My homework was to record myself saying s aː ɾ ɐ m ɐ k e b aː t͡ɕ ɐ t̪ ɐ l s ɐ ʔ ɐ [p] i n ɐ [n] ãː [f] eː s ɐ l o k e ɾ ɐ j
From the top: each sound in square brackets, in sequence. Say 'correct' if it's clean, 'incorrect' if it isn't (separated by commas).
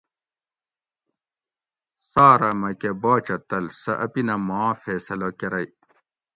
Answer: correct, incorrect, correct